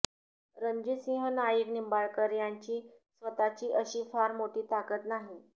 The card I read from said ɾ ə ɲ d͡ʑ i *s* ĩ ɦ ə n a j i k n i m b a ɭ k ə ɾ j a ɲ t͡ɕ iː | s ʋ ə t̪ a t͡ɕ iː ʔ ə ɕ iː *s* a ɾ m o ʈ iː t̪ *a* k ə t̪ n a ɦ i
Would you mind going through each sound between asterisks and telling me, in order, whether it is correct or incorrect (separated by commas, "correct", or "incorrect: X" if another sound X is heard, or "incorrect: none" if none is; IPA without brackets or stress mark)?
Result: correct, incorrect: f, correct